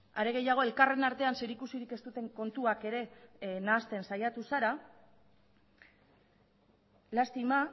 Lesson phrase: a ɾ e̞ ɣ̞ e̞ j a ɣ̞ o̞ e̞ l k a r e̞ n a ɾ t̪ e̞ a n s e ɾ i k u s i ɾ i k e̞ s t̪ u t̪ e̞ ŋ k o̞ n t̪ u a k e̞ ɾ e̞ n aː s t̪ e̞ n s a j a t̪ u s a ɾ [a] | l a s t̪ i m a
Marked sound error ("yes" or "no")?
no